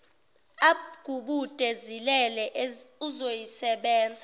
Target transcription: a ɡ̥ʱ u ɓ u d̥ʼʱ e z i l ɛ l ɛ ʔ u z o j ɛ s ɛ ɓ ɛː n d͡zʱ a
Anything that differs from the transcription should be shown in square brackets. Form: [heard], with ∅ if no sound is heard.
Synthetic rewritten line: a ɡ̥ʱ u ɓ u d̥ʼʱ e z i l ɛ l ɛ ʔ u z o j [i] s ɛ ɓ ɛː n d͡zʱ a